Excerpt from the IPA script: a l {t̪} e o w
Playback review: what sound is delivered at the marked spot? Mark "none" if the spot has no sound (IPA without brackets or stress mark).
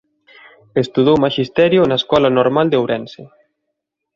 d̪